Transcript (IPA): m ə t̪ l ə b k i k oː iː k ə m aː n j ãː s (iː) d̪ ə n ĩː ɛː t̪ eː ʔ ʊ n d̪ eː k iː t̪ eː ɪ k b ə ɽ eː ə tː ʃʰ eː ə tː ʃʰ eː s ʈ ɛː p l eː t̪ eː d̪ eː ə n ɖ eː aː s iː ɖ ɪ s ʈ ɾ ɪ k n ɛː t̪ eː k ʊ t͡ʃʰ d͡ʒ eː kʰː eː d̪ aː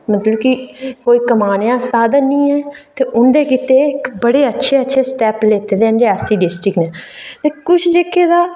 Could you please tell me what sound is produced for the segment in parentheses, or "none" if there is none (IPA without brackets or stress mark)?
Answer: aː